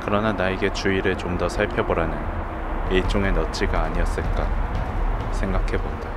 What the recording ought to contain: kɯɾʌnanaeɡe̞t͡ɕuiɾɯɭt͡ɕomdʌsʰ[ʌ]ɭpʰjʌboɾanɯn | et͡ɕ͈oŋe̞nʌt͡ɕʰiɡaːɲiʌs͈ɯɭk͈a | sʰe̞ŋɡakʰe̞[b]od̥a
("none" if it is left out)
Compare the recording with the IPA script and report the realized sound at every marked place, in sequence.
a, b

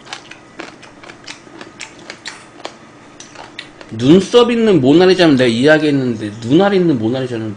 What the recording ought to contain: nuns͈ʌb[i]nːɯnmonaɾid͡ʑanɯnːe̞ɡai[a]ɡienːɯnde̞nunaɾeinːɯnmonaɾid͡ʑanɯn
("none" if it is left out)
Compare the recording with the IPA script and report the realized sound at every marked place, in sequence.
i, a

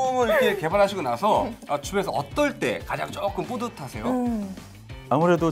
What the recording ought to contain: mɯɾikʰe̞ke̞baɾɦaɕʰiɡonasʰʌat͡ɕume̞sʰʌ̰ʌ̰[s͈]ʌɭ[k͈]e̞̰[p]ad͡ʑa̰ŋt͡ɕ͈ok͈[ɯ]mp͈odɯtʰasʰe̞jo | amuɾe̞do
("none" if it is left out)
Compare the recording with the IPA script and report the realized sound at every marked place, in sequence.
t͈, t͈, k, ɯ

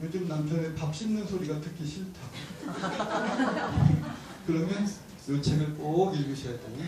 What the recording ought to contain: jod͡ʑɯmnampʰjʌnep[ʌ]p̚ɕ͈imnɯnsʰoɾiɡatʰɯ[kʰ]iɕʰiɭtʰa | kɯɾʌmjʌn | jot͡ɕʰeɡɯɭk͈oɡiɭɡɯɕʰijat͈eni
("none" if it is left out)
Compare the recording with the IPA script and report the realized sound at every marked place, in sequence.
a, kʰ

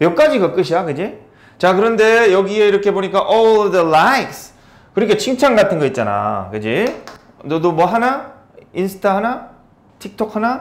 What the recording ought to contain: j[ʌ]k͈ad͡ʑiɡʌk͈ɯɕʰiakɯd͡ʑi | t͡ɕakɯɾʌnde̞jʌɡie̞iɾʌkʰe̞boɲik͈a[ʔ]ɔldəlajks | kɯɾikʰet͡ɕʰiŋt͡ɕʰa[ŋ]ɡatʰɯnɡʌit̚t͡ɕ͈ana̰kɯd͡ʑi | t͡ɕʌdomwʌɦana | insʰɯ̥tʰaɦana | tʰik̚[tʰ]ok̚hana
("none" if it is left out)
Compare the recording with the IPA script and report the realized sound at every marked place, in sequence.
ʌ, ʔ, ŋ, tʰ

